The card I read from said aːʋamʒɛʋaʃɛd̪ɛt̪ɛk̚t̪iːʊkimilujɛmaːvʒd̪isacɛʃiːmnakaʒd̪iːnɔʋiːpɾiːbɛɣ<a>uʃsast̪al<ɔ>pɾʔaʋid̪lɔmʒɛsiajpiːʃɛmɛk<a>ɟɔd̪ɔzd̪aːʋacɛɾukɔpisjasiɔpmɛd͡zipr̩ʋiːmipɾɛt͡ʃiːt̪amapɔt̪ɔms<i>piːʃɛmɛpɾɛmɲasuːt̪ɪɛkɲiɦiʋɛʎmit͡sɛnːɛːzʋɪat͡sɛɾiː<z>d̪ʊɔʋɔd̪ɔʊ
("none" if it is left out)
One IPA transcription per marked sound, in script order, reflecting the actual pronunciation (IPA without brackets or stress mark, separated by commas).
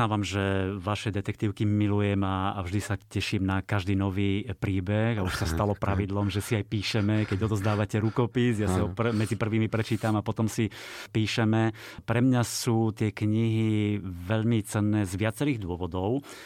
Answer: a, ɔ, ɛ, i, ɣ